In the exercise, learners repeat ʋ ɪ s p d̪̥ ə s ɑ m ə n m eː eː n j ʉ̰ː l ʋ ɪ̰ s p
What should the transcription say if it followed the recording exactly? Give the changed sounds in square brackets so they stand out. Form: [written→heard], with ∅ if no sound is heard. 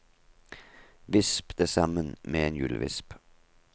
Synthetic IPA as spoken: ʋ ɪ s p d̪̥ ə s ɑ m ə n m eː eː n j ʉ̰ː l ʋ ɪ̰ s p